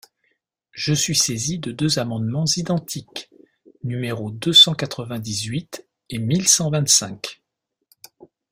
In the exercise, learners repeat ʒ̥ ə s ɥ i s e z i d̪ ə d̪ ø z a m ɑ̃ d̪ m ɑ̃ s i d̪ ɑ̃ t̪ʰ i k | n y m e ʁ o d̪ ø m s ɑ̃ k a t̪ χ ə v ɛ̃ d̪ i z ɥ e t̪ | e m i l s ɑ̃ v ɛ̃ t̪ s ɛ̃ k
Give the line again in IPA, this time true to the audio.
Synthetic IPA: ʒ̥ ə s ɥ i s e z i d̪ ə d̪ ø z a m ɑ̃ d̪ m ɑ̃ z i d̪ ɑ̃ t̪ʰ i k | n y m e ʁ o d̪ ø s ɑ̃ k a t̪ χ ə v ɛ̃ d̪ i z ɥ i t̪ | e m i l s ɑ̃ v ɛ̃ t̪ s ɛ̃ k